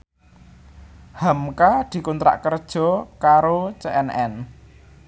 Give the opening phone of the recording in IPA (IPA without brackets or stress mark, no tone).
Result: h